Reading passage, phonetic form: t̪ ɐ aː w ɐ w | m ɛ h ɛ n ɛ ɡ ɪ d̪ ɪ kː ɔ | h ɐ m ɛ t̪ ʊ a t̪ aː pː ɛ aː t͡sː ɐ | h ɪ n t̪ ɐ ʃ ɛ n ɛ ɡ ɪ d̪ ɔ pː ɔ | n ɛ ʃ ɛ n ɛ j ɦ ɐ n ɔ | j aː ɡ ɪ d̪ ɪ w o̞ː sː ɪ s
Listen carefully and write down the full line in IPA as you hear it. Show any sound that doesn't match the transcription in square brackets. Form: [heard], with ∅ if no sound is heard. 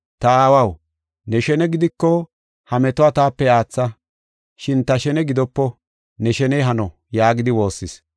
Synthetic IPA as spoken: t̪ ɐ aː w ɐ w | [n] ɛ [ʃ] ɛ n ɛ ɡ ɪ d̪ ɪ kː ɔ | h ɐ m ɛ t̪ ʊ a t̪ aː pː ɛ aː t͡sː ɐ | [ʃ] ɪ n t̪ ɐ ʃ ɛ n ɛ ɡ ɪ d̪ ɔ pː ɔ | n ɛ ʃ ɛ n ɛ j ɦ ɐ n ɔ | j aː ɡ ɪ d̪ ɪ w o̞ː sː ɪ s